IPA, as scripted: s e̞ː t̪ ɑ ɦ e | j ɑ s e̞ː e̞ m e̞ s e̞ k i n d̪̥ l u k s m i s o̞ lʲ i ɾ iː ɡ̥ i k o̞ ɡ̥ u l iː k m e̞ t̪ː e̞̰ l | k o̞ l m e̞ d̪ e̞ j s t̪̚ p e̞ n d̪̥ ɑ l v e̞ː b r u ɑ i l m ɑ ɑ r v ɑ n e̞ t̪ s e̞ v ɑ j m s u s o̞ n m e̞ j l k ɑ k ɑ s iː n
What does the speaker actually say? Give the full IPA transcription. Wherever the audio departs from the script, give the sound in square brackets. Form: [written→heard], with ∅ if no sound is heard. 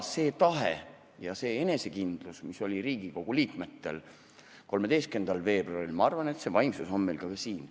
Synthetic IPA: s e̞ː t̪ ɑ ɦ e | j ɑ s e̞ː e̞ [m→n] e̞ s e̞ k i n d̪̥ l u [k→∅] s m i s o̞ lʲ i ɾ iː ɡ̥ i k o̞ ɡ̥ u l iː k m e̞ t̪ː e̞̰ l | k o̞ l m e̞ d̪ e̞ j s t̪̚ [p→k] e̞ n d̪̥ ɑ l v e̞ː b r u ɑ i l m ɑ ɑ r v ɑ n e̞ t̪ s e̞ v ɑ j m s u s o̞ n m e̞ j l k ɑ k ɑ s iː n